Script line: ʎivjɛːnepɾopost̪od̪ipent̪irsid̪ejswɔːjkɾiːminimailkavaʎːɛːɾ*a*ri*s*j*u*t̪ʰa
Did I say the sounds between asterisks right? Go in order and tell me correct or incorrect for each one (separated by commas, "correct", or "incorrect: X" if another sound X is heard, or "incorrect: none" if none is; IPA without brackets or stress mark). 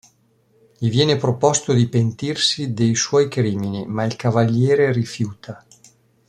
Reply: incorrect: e, incorrect: f, incorrect: uː